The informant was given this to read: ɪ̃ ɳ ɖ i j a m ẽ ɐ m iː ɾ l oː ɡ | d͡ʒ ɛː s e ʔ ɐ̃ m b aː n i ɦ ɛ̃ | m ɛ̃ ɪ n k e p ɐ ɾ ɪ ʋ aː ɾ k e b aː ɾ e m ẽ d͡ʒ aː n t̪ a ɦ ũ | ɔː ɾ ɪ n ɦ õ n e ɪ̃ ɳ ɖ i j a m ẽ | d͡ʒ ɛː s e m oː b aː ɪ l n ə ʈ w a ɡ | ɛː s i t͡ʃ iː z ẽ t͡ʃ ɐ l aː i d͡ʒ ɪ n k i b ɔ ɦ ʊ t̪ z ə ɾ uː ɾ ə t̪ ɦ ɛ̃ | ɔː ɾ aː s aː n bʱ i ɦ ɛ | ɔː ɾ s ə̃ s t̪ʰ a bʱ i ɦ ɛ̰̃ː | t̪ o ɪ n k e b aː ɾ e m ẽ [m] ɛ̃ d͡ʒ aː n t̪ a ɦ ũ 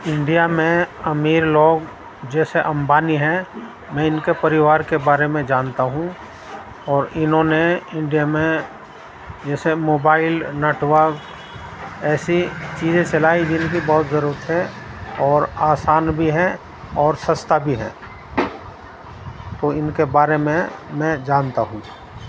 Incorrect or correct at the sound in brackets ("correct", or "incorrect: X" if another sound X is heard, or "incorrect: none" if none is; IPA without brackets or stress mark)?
correct